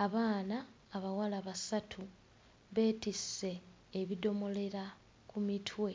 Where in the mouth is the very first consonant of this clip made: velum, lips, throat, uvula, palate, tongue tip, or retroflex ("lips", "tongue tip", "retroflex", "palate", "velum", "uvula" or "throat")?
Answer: lips